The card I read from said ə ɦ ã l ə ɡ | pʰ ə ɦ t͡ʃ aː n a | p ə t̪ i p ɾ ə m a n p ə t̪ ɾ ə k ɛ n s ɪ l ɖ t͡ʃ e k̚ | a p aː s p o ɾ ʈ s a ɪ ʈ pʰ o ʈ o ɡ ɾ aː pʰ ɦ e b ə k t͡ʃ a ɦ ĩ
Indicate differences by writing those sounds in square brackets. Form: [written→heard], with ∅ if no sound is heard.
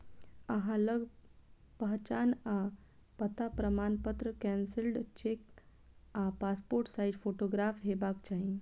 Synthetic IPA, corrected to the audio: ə ɦ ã l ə ɡ | [pʰ→p] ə ɦ t͡ʃ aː n a | p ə t̪ [i→a] p ɾ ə m a n p ə t̪ ɾ ə k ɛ n s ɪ l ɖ t͡ʃ e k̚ | a p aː s p o ɾ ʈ s a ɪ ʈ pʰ o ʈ o ɡ ɾ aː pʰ ɦ e b [ə→a] k t͡ʃ a ɦ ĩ